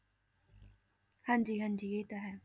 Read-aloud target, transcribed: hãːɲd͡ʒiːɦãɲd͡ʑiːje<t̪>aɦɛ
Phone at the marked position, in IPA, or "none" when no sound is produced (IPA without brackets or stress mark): t̪